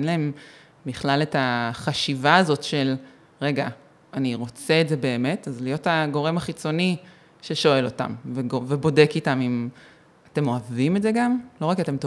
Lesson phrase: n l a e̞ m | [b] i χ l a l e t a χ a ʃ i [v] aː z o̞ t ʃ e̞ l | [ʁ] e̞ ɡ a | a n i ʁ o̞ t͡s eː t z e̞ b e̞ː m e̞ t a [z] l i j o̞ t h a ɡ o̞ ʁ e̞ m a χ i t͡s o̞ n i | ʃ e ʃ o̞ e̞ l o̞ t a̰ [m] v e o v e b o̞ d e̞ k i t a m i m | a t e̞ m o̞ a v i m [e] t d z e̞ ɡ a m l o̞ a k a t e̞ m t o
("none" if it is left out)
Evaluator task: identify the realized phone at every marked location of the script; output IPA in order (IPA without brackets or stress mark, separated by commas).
b, v, ʁ, z, m, e